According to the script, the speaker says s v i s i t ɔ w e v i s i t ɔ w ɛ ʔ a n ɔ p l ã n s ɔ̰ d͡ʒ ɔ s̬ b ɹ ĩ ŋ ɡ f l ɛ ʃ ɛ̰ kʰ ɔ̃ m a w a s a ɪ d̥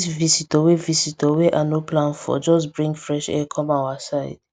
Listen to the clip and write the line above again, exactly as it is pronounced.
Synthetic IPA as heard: s v i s i t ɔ w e v i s i t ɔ w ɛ ʔ a n o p l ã n f ɔ̰ d͡ʒ ɔ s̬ b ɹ ĩ ŋ ɡ f ɹ ɛ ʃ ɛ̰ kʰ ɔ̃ m a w a s a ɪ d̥